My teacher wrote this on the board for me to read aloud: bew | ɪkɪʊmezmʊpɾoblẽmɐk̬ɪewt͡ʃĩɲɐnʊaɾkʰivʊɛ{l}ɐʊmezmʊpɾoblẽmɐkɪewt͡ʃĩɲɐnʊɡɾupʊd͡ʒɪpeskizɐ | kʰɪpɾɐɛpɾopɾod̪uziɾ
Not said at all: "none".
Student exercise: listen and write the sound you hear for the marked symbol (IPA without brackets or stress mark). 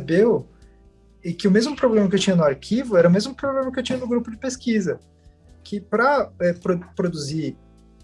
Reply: ɾ